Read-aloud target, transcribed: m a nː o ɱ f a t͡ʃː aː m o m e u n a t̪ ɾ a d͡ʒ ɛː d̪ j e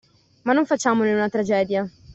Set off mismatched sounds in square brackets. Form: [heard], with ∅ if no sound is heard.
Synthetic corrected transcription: m a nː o ɱ f a t͡ʃː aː m o [n] e u n a t̪ ɾ a d͡ʒ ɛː d̪ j [a]